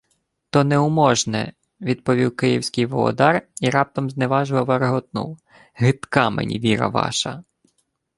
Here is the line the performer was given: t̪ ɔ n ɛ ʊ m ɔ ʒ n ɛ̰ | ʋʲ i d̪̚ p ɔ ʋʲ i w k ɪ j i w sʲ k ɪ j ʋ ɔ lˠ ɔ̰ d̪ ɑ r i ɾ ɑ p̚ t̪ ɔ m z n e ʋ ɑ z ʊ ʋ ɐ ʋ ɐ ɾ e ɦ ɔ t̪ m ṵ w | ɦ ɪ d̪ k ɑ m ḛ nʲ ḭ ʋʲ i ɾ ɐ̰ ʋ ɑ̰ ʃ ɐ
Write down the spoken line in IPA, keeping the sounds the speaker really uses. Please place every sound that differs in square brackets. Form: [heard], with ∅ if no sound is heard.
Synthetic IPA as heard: t̪ ɔ n ɛ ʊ m ɔ ʒ n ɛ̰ | ʋʲ i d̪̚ p ɔ ʋʲ i w k ɪ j i w sʲ k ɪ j ʋ ɔ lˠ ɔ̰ d̪ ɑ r i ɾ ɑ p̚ t̪ ɔ m z n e ʋ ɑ [ʒ] ʊ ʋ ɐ ʋ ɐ ɾ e ɦ ɔ t̪ [n] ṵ w | ɦ ɪ [t̪] k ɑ m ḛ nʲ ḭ ʋʲ i ɾ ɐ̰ ʋ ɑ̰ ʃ ɐ